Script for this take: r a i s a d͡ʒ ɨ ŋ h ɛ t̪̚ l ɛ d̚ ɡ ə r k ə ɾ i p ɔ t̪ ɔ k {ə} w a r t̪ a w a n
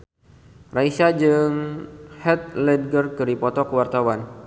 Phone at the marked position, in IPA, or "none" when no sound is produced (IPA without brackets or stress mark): ə